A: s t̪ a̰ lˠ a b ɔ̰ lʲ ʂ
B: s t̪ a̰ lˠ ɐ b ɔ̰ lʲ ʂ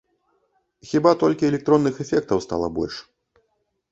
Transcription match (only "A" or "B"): B